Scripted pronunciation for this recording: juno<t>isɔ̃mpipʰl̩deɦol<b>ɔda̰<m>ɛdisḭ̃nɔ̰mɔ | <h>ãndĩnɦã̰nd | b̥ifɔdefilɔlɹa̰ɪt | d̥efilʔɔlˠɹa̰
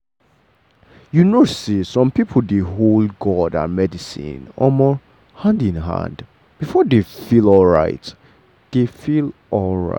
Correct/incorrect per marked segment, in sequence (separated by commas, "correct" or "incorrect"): incorrect, incorrect, correct, correct